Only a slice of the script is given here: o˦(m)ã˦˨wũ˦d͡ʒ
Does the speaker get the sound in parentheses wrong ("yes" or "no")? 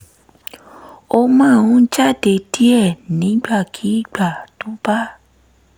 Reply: no